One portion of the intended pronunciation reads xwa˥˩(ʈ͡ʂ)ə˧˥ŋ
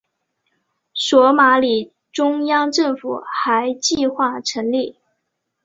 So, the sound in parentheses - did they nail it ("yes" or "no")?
no